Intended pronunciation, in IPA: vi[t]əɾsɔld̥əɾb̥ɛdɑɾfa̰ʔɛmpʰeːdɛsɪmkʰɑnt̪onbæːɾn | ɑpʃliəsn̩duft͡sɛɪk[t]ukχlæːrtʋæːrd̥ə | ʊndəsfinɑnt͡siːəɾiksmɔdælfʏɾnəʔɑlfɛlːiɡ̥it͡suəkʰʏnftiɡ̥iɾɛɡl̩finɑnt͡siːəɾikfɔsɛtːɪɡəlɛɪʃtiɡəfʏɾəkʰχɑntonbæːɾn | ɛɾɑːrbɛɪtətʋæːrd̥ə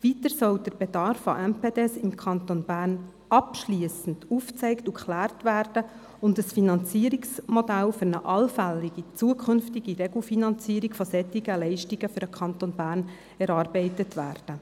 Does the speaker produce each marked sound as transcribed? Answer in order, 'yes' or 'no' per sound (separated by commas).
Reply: yes, yes